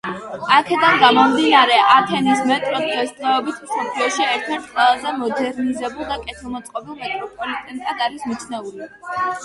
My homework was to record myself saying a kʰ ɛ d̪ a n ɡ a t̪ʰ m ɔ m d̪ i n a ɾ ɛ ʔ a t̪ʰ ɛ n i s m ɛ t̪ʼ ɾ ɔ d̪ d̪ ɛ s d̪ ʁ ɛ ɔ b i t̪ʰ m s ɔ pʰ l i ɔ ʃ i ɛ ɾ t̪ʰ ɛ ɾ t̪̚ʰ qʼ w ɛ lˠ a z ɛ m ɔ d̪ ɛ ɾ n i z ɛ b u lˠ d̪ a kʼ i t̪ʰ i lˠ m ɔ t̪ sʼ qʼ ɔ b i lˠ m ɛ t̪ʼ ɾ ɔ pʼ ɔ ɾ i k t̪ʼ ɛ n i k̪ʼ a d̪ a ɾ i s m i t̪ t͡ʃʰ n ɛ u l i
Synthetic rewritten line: a kʰ ɛ d̪ a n ɡ a m ɔ m d̪ i n a ɾ ɛ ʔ a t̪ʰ ɛ n i s m ɛ t̪ʼ ɾ ɔ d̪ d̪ ɛ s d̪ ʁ ɛ ɔ b i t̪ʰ m s ɔ pʰ l i ɔ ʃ i ɛ ɾ t̪ʰ ɛ ɾ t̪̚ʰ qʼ w ɛ lˠ a z ɛ m ɔ d̪ ɛ ɾ n i z ɛ b u lˠ d̪ a kʼ ɛ t̪ʰ i lˠ m ɔ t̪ sʼ qʼ ɔ b i lˠ m ɛ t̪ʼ ɾ ɔ pʼ ɔ l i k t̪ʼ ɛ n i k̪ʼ a d̪ a ɾ i s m i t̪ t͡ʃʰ n ɛ u l i